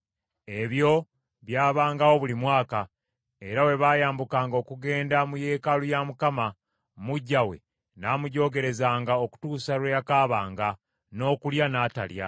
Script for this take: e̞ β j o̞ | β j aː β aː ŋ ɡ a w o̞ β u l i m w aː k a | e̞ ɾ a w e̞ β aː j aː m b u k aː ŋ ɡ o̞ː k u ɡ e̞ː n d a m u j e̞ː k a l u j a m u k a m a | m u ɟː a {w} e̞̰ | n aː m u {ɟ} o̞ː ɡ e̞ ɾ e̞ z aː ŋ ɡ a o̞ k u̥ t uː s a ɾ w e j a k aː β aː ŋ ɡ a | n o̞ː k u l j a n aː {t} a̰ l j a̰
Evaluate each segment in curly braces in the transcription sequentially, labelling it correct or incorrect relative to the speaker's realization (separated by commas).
correct, correct, correct